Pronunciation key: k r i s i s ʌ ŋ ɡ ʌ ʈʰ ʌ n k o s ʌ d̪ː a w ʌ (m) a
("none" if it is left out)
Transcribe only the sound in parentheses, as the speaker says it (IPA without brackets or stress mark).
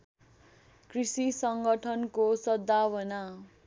n